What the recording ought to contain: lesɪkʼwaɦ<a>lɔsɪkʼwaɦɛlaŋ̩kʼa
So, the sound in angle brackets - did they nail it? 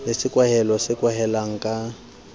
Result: no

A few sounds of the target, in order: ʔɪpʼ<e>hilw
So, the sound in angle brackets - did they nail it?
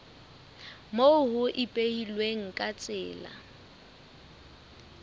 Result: yes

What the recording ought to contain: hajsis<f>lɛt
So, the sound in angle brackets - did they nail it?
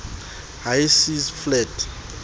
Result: yes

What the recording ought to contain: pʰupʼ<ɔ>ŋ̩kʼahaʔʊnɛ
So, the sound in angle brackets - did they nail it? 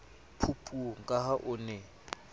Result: no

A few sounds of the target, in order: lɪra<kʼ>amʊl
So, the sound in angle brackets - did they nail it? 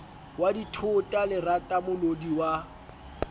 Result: no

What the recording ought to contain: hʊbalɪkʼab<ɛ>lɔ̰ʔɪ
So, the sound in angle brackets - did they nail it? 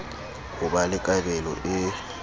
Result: yes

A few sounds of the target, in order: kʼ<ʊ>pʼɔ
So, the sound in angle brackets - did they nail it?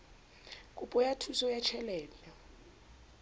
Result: no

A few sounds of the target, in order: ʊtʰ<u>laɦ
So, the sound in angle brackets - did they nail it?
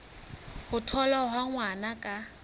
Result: no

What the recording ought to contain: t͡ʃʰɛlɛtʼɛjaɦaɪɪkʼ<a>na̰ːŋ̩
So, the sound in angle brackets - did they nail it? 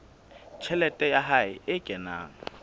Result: no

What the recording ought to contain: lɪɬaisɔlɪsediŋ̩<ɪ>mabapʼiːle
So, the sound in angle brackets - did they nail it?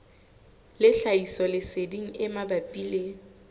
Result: yes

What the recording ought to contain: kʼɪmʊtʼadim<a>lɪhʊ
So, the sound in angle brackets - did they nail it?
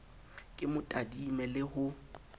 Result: no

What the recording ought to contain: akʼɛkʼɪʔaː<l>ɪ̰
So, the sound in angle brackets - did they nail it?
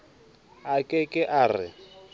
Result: no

